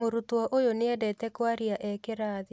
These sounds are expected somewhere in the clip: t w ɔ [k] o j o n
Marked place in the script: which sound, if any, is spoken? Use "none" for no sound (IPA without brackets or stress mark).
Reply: ʔ